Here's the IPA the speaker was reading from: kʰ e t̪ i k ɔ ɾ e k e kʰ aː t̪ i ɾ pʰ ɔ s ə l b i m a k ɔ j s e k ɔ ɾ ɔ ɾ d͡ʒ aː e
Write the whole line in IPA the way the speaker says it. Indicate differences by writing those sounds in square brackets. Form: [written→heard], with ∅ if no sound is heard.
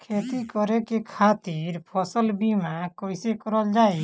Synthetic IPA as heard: kʰ e t̪ i k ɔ ɾ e k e kʰ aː t̪ i ɾ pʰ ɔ s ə l b i m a k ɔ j s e k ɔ ɾ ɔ [ɾ→l] d͡ʒ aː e